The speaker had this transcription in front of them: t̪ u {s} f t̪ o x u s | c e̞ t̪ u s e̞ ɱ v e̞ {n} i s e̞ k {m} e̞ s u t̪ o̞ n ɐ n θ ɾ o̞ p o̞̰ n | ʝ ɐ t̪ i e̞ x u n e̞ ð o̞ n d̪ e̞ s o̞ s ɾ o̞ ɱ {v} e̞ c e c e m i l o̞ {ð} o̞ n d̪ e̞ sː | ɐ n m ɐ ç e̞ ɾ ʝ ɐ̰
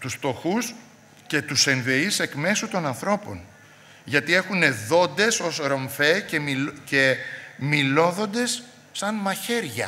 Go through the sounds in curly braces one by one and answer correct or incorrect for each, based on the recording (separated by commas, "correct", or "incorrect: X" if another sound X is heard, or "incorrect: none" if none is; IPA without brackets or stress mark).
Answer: correct, incorrect: none, correct, incorrect: f, correct